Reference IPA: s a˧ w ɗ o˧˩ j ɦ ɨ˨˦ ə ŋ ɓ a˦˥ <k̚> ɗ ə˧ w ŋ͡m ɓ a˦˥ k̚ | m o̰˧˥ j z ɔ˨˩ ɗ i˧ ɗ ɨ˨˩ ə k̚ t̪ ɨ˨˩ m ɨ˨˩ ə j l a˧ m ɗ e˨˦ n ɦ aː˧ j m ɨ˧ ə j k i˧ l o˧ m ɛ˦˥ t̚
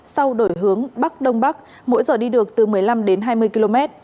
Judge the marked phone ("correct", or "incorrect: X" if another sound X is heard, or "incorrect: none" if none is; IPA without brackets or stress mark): correct